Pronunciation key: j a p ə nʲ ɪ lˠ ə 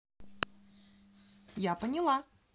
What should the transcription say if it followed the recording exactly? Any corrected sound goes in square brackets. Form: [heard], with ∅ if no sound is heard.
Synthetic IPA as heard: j a p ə nʲ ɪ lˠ [a]